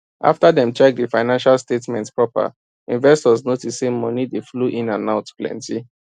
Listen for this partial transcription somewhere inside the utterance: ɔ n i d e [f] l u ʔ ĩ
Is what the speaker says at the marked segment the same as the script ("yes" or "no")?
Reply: yes